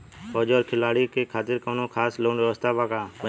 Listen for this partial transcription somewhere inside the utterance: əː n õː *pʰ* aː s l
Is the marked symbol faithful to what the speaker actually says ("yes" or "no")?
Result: no